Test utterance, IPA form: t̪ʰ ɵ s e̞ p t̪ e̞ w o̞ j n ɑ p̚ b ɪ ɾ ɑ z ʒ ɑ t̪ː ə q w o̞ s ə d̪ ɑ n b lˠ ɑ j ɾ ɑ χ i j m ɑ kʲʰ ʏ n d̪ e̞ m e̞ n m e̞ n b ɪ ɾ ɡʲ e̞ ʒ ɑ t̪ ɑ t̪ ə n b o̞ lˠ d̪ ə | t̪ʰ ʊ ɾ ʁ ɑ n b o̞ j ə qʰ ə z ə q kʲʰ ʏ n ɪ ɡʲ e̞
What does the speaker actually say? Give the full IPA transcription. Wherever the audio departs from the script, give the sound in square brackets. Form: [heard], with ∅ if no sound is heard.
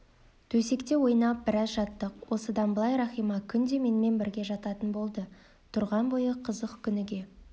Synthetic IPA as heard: t̪ʰ ɵ s e̞ [k] t̪ e̞ w o̞ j n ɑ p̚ b ɪ ɾ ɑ z ʒ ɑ t̪ː ə q w o̞ s ə d̪ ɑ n b lˠ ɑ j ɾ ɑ χ i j m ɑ kʲʰ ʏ n d̪ e̞ m e̞ n m e̞ n b ɪ ɾ ɡʲ e̞ ʒ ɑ t̪ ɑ t̪ ə n b o̞ lˠ d̪ ə | t̪ʰ ʊ ɾ ʁ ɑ n b o̞ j ə qʰ ə z ə q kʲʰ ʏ n ɪ ɡʲ e̞